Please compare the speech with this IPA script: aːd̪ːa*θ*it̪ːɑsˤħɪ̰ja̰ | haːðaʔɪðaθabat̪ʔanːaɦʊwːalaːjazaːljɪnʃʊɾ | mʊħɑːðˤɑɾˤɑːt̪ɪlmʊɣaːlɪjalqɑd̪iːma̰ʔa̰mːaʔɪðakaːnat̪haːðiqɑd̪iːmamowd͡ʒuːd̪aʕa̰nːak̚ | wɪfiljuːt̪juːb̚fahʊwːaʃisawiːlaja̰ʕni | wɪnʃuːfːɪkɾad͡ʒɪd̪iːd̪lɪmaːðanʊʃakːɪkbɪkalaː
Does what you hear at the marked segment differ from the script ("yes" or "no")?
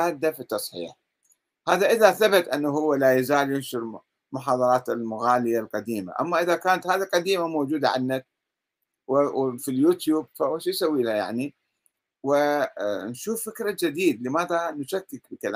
yes